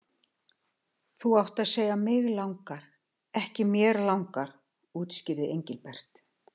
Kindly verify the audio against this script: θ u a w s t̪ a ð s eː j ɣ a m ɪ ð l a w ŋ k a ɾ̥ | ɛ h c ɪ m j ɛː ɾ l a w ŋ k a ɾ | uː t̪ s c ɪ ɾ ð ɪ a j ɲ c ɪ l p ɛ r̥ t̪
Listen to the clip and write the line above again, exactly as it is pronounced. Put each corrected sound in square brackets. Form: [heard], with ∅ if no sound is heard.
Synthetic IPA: θ u a w [h] t̪ a ð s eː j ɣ a m ɪ [ɣ] l a w ŋ k a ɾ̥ | ɛ h c ɪ m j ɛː ɾ l a w ŋ k a ɾ | uː t̪ s c ɪ ɾ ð ɪ [e] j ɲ c ɪ l p ɛ r̥ t̪